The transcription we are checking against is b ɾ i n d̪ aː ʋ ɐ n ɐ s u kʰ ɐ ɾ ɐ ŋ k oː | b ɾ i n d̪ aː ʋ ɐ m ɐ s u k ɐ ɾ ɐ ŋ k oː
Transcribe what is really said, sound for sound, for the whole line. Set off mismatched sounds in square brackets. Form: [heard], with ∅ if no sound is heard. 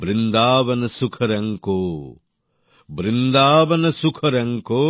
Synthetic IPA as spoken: b ɾ i n d̪ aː ʋ ɐ n ɐ s u kʰ ɐ ɾ ɐ ŋ k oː | b ɾ i n d̪ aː ʋ ɐ [n] ɐ s u [kʰ] ɐ ɾ ɐ ŋ k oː